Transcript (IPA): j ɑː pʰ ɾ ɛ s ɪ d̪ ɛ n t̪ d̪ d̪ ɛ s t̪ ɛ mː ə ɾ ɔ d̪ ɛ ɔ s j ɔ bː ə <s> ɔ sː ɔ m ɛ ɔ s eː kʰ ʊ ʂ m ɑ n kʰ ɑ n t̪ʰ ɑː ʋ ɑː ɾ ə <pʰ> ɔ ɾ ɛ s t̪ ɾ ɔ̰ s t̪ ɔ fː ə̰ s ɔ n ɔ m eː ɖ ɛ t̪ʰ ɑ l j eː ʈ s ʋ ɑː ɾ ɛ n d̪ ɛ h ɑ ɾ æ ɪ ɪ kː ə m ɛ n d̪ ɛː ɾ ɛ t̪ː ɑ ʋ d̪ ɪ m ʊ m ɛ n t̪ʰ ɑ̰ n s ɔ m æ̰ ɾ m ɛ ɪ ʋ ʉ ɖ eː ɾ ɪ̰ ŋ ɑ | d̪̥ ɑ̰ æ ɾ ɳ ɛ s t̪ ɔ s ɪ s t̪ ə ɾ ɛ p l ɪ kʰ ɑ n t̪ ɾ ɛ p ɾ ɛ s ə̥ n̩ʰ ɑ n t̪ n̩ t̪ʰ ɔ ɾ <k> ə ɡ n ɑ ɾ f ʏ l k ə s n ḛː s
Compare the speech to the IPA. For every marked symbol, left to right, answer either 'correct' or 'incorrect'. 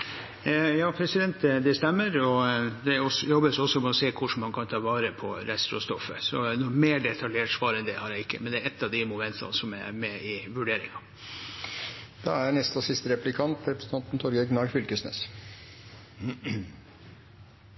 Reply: correct, correct, incorrect: ɡ

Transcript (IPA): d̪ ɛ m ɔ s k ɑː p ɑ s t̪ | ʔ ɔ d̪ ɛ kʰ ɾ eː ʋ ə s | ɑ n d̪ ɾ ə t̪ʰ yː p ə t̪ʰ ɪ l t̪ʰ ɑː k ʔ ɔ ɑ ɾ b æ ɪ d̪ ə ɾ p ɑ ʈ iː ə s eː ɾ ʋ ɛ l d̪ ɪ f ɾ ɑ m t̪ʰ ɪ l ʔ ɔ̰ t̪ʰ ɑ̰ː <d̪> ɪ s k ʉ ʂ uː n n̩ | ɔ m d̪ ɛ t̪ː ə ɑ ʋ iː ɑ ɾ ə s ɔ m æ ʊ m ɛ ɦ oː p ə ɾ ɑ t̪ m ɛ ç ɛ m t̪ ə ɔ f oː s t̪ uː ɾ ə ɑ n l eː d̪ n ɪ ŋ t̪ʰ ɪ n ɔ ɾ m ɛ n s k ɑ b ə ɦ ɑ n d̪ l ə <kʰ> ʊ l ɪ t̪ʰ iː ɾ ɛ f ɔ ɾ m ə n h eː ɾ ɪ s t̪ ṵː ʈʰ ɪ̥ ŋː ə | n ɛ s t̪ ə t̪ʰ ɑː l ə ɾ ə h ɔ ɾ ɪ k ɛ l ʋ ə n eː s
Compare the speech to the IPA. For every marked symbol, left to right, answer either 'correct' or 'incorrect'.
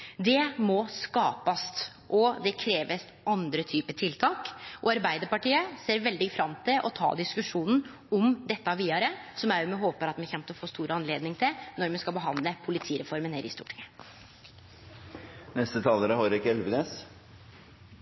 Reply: correct, incorrect: pʰ

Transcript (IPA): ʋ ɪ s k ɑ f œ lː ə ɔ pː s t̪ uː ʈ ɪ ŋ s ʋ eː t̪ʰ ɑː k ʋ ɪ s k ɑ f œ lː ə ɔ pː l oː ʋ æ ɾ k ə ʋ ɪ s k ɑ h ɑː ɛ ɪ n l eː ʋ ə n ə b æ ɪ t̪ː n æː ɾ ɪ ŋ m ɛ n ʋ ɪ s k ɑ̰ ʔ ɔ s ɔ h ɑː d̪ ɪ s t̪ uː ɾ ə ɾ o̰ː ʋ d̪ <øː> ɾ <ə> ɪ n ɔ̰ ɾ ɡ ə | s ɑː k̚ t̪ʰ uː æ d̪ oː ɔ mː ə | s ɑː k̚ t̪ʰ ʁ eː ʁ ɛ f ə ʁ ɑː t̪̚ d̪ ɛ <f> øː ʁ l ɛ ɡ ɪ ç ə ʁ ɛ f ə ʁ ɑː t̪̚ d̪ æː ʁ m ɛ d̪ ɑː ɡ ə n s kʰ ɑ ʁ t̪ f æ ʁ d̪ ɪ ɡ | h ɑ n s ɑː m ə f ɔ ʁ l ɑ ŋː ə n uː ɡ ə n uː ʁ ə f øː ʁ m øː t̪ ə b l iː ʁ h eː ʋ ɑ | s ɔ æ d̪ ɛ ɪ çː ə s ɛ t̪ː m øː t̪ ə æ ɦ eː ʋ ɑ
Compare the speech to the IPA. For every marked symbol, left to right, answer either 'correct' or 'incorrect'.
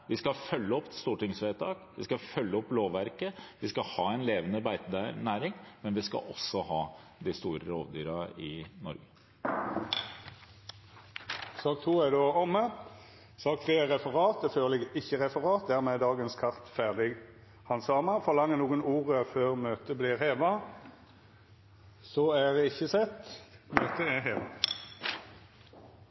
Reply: incorrect: yː, incorrect: ɑ, correct

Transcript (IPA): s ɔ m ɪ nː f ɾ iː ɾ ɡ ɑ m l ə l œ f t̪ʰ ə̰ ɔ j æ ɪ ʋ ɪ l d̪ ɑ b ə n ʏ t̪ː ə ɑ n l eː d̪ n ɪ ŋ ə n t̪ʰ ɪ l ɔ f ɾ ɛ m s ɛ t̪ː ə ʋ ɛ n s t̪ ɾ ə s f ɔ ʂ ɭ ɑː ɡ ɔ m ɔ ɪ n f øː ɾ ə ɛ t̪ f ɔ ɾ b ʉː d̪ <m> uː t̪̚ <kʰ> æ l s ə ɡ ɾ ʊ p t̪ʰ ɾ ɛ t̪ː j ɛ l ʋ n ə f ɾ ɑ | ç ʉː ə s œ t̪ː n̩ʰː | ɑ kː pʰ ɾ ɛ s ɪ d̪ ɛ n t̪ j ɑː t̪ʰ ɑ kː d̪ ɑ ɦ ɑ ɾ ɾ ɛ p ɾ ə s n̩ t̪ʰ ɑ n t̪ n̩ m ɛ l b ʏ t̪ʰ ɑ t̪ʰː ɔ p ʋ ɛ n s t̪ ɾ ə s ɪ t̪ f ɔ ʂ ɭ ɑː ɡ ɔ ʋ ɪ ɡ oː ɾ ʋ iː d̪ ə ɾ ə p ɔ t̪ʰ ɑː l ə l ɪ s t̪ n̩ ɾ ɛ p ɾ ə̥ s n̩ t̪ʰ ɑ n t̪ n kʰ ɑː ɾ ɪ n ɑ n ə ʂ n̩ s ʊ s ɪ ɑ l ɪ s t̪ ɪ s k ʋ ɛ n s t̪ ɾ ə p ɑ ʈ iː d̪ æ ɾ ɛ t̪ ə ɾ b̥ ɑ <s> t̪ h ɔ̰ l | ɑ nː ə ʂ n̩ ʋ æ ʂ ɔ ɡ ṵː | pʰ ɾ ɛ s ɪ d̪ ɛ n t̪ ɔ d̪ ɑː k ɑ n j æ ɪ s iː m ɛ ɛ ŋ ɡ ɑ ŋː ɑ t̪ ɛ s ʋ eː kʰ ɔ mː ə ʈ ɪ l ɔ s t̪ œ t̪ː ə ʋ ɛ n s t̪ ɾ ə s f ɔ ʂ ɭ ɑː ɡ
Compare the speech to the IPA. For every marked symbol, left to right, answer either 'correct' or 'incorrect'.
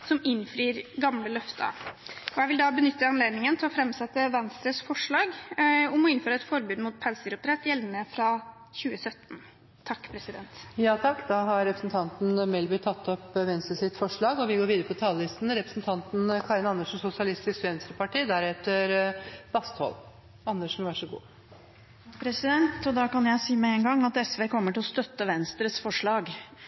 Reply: correct, incorrect: pʰ, correct

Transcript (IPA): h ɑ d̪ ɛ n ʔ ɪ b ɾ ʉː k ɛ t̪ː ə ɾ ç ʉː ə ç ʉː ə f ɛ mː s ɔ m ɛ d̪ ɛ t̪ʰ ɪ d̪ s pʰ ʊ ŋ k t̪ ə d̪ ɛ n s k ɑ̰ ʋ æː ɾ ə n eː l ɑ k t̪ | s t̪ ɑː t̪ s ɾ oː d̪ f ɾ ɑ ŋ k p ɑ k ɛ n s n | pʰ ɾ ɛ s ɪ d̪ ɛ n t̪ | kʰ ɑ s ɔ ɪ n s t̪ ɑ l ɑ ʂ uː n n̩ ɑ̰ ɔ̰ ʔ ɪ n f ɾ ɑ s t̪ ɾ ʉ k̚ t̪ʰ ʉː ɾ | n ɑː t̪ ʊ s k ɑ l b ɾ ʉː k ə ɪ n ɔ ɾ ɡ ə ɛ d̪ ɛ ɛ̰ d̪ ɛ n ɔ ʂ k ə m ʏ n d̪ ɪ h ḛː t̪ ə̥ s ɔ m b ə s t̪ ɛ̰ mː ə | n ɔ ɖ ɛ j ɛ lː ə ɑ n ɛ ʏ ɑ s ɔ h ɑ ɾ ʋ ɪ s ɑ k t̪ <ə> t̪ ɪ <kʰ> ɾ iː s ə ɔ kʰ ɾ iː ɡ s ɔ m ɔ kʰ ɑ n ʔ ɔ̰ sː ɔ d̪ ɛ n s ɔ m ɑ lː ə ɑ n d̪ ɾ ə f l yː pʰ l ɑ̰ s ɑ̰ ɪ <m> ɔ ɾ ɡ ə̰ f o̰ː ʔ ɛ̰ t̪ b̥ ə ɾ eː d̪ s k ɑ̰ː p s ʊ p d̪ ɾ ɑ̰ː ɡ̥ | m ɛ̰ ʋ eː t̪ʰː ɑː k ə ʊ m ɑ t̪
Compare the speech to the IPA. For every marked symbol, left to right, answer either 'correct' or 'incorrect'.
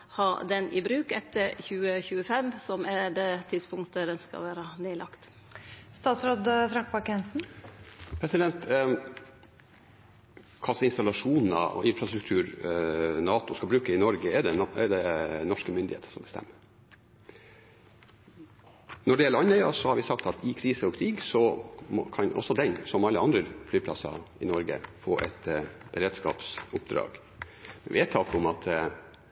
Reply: incorrect: ɑ, correct, incorrect: n

